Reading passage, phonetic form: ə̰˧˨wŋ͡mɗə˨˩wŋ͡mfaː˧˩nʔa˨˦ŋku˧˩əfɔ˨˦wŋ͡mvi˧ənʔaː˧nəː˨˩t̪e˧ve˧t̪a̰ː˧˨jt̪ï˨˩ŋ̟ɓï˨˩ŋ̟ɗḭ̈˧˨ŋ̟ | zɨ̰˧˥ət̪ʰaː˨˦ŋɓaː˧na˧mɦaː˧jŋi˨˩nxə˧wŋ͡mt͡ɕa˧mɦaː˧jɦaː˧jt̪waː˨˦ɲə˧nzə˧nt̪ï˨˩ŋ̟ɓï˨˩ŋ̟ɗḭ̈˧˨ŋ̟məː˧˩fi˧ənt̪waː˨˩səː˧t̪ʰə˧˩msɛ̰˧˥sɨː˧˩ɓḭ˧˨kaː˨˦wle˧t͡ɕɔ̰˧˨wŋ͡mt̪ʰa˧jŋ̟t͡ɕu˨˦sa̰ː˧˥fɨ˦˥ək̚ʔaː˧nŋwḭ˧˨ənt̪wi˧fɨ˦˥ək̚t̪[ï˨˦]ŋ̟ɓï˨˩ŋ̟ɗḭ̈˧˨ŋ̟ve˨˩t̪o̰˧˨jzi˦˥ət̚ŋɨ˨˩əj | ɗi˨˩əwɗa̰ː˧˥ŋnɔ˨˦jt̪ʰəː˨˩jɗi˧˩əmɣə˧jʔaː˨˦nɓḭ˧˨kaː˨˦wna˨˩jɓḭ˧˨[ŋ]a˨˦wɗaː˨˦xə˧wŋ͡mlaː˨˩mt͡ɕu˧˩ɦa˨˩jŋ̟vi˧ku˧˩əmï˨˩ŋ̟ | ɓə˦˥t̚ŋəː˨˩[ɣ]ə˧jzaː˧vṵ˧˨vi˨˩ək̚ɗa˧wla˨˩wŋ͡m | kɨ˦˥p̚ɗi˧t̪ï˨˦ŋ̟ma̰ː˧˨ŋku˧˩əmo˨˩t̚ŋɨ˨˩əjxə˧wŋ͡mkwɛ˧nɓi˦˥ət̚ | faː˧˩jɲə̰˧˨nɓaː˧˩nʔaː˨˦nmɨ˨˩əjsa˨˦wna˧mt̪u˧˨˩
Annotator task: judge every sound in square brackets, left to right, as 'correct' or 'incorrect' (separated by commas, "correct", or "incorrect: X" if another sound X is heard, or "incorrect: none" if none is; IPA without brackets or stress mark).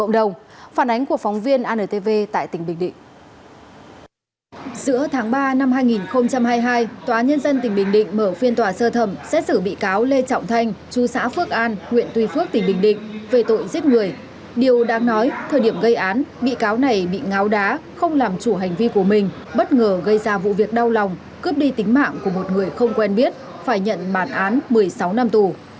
incorrect: ï˨˩, correct, correct